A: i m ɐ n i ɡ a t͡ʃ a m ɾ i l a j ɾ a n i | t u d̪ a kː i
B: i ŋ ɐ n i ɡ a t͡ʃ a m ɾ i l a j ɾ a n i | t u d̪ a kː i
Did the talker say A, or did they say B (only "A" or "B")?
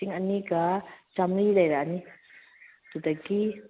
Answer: B